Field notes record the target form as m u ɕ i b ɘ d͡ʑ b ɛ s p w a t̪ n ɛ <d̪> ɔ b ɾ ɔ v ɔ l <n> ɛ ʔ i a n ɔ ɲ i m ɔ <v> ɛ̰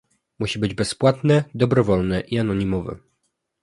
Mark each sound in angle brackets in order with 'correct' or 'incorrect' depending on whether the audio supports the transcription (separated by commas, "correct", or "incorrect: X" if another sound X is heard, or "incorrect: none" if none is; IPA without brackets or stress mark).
correct, correct, correct